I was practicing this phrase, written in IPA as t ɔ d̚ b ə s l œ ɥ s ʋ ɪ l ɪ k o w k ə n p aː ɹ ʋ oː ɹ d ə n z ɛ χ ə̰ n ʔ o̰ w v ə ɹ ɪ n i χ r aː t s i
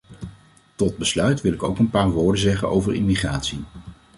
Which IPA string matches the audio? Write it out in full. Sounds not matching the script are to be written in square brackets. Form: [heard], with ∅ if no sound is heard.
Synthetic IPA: t ɔ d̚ b ə s l œ ɥ [t] ʋ ɪ l ɪ k o w k ə n p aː ɹ ʋ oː ɹ d ə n z ɛ χ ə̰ n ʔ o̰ w v ə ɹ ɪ [m] i χ r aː t s i

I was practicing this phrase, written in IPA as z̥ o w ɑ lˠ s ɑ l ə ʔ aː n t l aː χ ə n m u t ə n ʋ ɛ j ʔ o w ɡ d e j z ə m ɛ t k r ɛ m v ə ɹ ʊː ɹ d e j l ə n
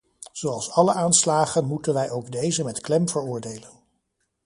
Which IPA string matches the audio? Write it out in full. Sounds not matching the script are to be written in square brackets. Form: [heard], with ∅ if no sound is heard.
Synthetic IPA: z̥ o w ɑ lˠ s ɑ l ə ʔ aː n [s] l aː χ ə n m u t ə n ʋ ɛ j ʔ o w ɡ d e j z ə m ɛ t k [l] ɛ m v ə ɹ ʊː ɹ d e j l ə n

